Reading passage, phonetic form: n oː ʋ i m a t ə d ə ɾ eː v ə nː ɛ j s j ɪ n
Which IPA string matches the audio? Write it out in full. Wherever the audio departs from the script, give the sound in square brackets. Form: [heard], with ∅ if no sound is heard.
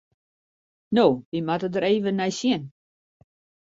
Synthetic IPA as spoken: n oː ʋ i m a t ə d ə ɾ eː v ə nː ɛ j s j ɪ n